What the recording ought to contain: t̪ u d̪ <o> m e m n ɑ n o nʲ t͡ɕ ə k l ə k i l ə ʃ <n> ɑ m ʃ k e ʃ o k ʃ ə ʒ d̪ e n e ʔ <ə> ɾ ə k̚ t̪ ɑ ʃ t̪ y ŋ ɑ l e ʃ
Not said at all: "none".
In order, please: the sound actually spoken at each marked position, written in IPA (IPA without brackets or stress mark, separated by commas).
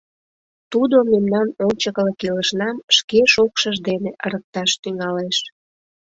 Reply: o, n, ə